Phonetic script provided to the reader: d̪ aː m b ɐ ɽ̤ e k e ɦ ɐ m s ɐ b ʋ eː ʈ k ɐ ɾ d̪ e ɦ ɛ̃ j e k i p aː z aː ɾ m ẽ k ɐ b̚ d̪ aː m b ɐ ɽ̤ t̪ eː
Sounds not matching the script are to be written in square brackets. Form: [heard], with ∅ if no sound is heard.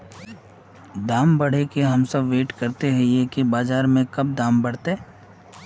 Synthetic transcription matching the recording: d̪ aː m b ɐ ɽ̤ e k e ɦ ɐ m s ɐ b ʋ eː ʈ k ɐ ɾ [t̪] e ɦ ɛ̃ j e k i [b] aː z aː ɾ m ẽ k ɐ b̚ d̪ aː m b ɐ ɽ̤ t̪ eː